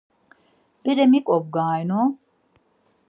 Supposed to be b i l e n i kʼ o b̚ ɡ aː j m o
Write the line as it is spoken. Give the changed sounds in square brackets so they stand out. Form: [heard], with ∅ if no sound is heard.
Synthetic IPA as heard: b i [ɾ] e [m] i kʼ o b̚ ɡ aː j [n] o